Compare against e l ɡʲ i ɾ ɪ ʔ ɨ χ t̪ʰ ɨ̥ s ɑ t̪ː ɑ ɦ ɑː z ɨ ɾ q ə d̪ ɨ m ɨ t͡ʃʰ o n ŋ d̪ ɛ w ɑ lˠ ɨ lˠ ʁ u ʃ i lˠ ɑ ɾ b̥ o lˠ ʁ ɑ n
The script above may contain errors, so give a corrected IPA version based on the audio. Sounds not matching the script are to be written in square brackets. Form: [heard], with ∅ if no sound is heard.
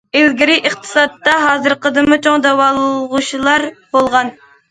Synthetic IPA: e l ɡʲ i ɾ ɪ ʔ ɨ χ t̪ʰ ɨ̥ s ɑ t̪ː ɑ ɦ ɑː z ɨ ɾ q ə d̪ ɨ m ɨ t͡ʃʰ o [∅] ŋ d̪ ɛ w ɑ lˠ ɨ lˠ ʁ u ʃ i lˠ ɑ ɾ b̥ o lˠ ʁ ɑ n